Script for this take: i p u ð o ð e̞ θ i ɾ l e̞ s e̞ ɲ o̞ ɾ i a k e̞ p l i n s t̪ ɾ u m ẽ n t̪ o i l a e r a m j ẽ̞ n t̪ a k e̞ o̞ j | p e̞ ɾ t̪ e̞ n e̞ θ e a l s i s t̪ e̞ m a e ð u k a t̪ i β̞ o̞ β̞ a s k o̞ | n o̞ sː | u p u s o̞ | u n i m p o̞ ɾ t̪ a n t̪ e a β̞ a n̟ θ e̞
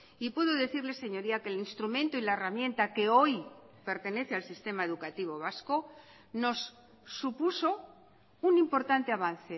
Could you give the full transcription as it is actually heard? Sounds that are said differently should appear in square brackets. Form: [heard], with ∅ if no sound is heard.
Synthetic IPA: i p u ð o ð e̞ θ i ɾ l e̞ s e̞ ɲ o̞ ɾ i a k e̞ [∅] l i n s t̪ ɾ u m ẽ n t̪ o i l a e r a m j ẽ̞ n t̪ a k e̞ o̞ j | p e̞ ɾ t̪ e̞ n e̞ θ e a l s i s t̪ e̞ m a e ð u k a t̪ i β̞ o̞ β̞ a s k o̞ | n o̞ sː | u p u s o̞ | u n i m p o̞ ɾ t̪ a n t̪ e a β̞ a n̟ θ e̞